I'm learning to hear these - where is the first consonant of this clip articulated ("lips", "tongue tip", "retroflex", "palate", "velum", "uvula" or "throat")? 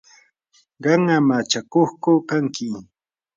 uvula